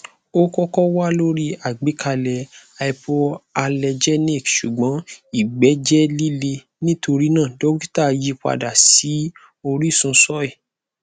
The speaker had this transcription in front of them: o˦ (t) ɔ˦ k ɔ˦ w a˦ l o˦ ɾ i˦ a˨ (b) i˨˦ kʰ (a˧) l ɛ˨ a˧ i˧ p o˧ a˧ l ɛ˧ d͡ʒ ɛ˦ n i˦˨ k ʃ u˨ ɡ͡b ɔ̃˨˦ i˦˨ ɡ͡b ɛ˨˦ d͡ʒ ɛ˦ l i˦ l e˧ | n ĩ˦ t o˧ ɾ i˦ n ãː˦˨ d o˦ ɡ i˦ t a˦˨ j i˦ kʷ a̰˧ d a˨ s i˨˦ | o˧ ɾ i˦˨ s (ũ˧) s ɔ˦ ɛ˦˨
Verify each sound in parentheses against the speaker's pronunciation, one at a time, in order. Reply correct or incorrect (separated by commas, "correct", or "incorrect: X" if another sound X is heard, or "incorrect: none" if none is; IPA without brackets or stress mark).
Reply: incorrect: k, incorrect: ɡ͡b, correct, correct